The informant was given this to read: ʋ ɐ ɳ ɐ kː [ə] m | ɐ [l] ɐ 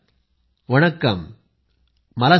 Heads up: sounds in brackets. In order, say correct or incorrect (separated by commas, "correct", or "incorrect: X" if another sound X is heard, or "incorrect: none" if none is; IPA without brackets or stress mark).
incorrect: ɐ, correct